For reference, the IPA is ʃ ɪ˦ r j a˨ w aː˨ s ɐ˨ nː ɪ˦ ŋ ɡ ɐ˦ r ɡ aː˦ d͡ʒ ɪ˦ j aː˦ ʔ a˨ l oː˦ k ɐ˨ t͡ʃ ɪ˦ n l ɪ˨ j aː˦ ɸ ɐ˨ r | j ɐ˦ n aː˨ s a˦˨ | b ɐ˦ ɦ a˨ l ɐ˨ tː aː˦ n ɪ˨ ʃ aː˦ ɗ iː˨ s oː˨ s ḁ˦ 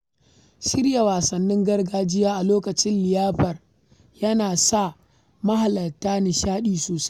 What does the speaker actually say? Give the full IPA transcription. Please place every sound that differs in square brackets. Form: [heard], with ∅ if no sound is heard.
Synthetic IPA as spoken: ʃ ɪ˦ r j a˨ w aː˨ s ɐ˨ nː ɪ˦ ŋ ɡ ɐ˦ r ɡ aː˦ d͡ʒ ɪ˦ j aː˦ ʔ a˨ l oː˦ k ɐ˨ t͡ʃ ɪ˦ n l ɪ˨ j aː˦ ɸ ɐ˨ r | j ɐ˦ n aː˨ s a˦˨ | [m] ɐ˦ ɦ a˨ l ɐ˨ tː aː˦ n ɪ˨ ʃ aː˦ ɗ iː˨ s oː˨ s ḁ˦